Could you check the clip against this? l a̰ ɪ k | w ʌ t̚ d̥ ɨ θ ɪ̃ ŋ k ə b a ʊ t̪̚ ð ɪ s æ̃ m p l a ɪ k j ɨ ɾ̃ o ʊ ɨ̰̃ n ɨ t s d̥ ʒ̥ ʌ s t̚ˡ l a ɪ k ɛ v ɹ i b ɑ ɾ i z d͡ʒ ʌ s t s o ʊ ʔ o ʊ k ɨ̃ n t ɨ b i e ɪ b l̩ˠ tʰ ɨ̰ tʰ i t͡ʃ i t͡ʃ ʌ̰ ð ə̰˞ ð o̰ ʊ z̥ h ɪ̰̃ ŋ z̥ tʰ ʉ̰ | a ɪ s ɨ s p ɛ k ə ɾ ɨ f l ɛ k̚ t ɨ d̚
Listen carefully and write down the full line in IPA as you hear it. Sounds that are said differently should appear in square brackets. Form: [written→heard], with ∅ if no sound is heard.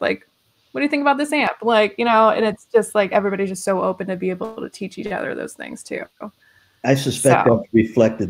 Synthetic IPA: l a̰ ɪ k | w ʌ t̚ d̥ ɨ θ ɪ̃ ŋ k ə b a ʊ t̪̚ ð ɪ s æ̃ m p l a ɪ k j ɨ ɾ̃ o ʊ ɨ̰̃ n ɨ t s d̥ ʒ̥ ʌ s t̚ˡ l a ɪ k ɛ v ɹ i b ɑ ɾ i z d͡ʒ ʌ s t s o ʊ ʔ o ʊ [k→p] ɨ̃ n t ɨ b i e ɪ b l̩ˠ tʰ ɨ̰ tʰ i t͡ʃ i t͡ʃ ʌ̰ ð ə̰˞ ð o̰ ʊ z̥ [h→θ] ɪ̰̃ ŋ z̥ tʰ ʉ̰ | a ɪ s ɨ s p ɛ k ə [ɾ→ɹ] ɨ f l ɛ k̚ t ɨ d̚